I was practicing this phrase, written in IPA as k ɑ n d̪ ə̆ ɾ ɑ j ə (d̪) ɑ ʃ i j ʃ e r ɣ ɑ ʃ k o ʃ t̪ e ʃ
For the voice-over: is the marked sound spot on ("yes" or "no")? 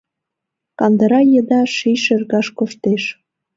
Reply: yes